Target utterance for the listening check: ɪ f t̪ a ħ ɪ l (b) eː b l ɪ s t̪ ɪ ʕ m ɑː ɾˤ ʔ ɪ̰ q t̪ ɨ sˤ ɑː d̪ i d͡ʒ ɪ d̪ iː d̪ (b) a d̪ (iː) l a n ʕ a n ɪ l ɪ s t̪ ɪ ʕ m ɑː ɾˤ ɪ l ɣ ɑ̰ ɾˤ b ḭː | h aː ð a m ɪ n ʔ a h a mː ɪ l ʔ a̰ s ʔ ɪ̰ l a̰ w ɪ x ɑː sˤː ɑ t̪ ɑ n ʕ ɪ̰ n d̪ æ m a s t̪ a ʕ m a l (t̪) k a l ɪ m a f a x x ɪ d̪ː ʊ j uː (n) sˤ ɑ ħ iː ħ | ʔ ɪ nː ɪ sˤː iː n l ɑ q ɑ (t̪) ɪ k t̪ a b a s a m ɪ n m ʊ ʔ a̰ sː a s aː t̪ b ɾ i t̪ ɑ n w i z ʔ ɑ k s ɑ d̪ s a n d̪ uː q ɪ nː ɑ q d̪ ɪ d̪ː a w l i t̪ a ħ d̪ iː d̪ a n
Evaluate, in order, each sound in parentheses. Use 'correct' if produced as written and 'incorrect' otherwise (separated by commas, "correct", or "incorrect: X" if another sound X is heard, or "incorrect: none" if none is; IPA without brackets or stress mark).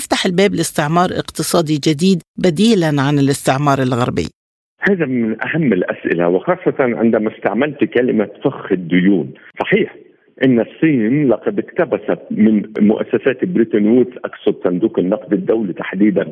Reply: correct, correct, correct, correct, correct, incorrect: d̪